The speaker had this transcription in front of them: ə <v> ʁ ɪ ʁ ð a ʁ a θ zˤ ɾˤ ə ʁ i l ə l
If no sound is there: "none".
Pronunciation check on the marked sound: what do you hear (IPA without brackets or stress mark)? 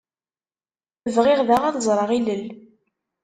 v